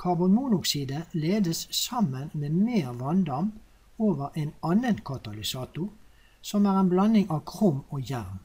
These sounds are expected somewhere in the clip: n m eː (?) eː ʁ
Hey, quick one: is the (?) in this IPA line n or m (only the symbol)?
m